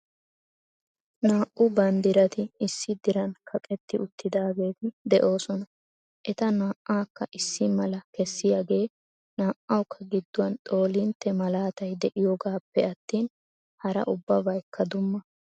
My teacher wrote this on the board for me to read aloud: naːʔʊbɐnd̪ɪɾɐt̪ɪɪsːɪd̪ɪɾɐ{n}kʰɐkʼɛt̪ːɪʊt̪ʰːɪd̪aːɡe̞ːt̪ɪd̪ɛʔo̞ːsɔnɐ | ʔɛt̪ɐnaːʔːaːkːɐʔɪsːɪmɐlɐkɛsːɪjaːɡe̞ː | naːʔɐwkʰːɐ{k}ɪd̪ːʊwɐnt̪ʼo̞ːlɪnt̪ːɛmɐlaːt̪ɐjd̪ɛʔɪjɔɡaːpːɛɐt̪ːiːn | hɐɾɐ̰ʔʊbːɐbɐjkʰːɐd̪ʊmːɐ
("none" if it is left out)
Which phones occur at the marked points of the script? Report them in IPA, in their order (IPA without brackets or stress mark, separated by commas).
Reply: n, ɡ